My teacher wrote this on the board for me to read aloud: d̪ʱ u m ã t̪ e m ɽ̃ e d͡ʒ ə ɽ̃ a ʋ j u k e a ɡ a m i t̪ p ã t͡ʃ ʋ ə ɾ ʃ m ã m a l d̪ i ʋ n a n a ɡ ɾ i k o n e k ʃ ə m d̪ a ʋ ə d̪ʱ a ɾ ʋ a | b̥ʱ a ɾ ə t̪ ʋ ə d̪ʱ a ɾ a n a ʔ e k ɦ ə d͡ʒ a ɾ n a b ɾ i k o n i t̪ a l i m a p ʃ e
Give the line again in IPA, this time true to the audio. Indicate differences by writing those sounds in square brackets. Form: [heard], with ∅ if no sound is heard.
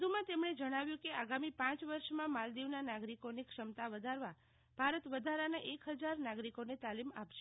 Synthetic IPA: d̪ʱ u m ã t̪ e m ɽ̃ e d͡ʒ ə ɽ̃ a ʋ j [ũ] k e a ɡ a m i [∅] p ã t͡ʃ ʋ ə ɾ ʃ m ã m a l d̪ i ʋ n a n a ɡ ɾ i k o n e k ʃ ə m [t̪] a ʋ ə d̪ʱ a ɾ ʋ a | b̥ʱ a ɾ ə t̪ ʋ ə d̪ʱ a ɾ a n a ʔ e k ɦ ə d͡ʒ a ɾ n a [ɡ] ɾ i k o n [e] t̪ a l i m a p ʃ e

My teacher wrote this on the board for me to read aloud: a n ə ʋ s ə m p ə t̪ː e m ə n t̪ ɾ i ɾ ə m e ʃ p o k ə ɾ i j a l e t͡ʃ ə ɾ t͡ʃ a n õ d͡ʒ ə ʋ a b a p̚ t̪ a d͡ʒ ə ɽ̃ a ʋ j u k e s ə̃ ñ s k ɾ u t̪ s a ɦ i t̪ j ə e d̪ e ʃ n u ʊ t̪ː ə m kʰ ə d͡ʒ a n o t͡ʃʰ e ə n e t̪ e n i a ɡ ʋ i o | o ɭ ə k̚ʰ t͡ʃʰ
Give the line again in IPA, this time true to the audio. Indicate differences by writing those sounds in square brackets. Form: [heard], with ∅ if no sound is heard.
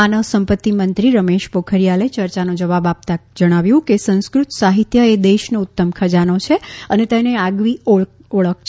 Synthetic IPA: a n ə ʋ s ə m p ə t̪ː [i] m ə n t̪ ɾ i ɾ ə m e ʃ p o [kʰ] ə ɾ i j a l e t͡ʃ ə ɾ t͡ʃ a n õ d͡ʒ ə ʋ a b a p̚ t̪ a d͡ʒ ə ɽ̃ a ʋ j [ũ] k e s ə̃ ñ s k ɾ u t̪ s a ɦ i t̪ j ə e d̪ e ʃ n [o] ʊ t̪ː ə m kʰ ə d͡ʒ a n o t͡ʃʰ e ə n e t̪ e n [e] a ɡ ʋ i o | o ɭ ə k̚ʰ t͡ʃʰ

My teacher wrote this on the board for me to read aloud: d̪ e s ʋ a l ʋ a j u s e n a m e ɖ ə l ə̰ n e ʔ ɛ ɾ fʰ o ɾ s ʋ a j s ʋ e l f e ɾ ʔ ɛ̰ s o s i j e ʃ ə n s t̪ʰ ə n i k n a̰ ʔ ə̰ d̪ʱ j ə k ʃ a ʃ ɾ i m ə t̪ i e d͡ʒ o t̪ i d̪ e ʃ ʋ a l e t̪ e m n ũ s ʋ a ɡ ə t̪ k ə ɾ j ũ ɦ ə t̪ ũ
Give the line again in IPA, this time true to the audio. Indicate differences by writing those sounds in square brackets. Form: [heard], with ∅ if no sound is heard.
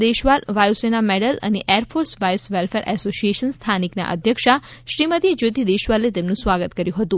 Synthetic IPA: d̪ e [ʃ] ʋ a l ʋ a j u s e n a m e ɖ ə l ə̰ n e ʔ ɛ ɾ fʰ o ɾ s ʋ a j s ʋ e l f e ɾ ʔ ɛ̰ s o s i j e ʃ ə n s t̪ʰ [a] n i k n a̰ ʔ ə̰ d̪ʱ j ə k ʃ a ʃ ɾ i m ə t̪ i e d͡ʒ o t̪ i d̪ e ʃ ʋ a l e t̪ e m n ũ s ʋ a ɡ ə t̪ k ə ɾ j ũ ɦ ə t̪ ũ

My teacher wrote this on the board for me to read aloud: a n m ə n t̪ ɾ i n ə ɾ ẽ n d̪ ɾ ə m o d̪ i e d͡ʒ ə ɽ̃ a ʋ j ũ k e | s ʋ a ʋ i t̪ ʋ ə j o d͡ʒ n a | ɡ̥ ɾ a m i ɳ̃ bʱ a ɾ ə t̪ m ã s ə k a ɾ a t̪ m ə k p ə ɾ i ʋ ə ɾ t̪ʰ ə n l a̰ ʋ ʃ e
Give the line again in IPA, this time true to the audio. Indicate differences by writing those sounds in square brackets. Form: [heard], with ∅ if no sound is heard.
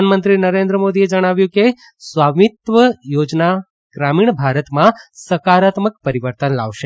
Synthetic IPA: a n m ə n t̪ ɾ i n ə ɾ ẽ n d̪ ɾ ə m o d̪ i e d͡ʒ ə ɽ̃ a ʋ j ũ k e | s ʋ a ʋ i t̪ ʋ ə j o d͡ʒ n a | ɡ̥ ɾ a m i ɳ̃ bʱ a ɾ ə t̪ m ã s ə k a ɾ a t̪ m ə k p ə ɾ i ʋ ə ɾ [t̪] ə n l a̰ ʋ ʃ e

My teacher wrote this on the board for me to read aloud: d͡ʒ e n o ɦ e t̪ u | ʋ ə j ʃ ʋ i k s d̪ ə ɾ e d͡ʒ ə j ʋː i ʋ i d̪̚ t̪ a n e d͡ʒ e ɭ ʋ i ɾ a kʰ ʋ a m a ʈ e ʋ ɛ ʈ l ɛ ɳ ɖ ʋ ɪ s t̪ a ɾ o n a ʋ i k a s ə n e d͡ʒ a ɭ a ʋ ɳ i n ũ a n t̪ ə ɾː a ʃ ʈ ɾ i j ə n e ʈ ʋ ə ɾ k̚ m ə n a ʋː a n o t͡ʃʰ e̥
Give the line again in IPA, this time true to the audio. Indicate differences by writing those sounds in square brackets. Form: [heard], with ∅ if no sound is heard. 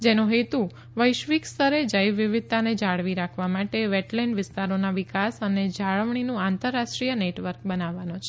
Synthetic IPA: d͡ʒ e n o ɦ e t̪ u | ʋ ə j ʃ ʋ i k s [t̪] ə ɾ e d͡ʒ ə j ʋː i ʋ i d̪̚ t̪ a n e d͡ʒ [a] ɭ ʋ i ɾ a kʰ ʋ a m a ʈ e ʋ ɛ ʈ l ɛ ɳ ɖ ʋ ɪ s t̪ a ɾ o n a ʋ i k a s ə n e d͡ʒ a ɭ [ə] ʋ ɳ i n ũ a n t̪ ə ɾː a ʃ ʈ ɾ i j ə n e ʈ ʋ ə ɾ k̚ [b] ə n a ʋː a n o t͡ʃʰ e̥

